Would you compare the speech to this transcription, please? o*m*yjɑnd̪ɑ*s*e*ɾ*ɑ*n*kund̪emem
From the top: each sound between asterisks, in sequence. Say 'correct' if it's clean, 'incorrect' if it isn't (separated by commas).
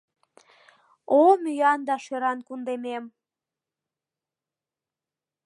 correct, incorrect, correct, correct